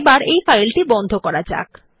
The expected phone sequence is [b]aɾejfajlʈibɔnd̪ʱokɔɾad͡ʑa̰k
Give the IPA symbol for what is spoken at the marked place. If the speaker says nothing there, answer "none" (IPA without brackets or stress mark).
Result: b